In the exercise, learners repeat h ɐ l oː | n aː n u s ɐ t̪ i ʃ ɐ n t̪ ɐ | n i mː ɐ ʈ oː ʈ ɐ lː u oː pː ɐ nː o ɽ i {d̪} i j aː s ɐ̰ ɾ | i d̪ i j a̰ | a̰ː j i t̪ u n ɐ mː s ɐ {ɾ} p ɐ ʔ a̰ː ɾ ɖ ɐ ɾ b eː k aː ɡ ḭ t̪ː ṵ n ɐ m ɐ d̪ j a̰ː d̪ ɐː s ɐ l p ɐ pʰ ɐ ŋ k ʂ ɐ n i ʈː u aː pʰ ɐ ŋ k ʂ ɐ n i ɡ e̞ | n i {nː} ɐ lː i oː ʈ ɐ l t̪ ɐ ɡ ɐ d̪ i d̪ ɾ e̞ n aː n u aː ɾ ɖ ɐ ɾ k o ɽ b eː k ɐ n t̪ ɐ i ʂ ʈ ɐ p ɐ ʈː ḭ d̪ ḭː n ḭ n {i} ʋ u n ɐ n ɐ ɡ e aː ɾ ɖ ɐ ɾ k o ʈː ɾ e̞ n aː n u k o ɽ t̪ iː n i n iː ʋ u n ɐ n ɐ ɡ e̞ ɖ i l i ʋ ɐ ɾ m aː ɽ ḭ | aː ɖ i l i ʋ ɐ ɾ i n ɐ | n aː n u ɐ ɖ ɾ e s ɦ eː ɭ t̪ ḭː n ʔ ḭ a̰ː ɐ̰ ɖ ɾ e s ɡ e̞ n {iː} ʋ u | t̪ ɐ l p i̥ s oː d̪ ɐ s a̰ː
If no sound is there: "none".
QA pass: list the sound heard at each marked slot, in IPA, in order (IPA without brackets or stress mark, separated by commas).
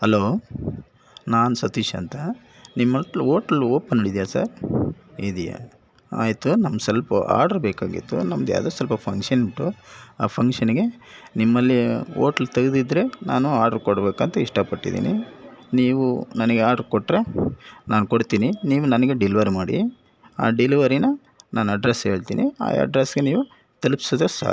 d̪, l, mː, iː, iː